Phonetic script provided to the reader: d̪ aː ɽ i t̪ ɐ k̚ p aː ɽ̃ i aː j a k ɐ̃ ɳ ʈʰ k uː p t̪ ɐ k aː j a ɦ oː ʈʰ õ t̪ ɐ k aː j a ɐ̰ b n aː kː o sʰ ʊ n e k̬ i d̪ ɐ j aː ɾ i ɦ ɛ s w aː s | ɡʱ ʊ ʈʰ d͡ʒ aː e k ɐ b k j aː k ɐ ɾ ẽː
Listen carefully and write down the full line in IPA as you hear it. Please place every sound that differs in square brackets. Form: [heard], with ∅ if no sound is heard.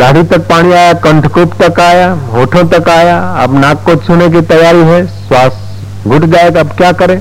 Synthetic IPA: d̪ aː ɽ i t̪ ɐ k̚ p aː ɽ̃ i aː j a k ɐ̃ ɳ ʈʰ k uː p t̪ ɐ k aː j a ɦ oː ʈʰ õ t̪ ɐ k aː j a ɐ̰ b n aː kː o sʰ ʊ n e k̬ i [t̪] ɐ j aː ɾ i ɦ ɛ s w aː s | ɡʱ ʊ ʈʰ d͡ʒ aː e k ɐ b k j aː k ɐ ɾ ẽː